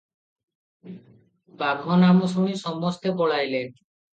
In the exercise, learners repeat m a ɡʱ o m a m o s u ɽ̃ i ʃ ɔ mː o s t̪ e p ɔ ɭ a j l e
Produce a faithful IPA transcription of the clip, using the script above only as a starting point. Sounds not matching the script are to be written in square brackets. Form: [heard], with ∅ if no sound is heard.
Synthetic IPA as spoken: [b] a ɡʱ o [n] a m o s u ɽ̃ i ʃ ɔ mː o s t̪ e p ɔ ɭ a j l e